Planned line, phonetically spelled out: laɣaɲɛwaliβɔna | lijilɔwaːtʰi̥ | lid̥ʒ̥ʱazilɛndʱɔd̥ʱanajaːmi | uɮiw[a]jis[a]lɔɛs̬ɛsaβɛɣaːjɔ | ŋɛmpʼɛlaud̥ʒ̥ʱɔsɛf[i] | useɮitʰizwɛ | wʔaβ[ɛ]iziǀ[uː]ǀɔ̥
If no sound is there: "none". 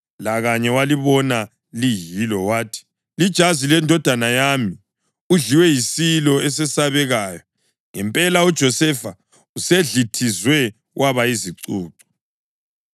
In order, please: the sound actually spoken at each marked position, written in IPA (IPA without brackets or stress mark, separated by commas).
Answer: ɛ, i, a, a, uː